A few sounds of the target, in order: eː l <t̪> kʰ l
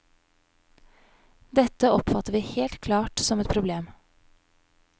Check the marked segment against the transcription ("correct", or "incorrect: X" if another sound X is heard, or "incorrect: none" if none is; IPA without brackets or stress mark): correct